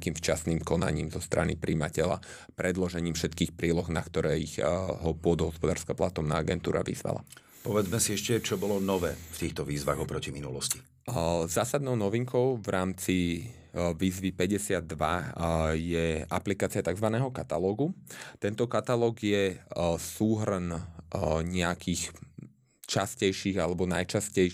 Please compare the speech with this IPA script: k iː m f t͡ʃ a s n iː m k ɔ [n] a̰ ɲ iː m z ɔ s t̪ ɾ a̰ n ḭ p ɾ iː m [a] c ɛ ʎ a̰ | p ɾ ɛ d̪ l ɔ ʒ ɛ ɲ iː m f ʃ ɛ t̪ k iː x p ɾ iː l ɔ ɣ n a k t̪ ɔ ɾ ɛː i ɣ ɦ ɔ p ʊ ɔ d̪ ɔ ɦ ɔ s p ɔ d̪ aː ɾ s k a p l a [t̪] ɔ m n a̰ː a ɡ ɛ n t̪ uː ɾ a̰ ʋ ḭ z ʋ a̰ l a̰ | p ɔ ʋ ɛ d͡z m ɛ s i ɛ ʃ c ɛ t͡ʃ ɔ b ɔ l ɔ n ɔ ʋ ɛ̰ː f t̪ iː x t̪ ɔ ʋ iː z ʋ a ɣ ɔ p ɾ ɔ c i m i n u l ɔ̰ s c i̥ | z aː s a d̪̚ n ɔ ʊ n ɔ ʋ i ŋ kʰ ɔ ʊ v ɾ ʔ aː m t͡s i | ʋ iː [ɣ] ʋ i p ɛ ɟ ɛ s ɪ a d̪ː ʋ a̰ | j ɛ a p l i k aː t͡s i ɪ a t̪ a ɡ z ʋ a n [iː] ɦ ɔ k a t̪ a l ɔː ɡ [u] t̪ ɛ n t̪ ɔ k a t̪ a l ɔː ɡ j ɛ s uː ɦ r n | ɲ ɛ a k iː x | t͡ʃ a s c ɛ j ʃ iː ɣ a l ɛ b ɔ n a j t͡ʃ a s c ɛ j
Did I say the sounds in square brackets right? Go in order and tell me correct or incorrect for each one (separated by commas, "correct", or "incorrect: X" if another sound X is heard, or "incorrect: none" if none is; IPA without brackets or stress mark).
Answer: correct, correct, correct, incorrect: z, incorrect: ɛː, correct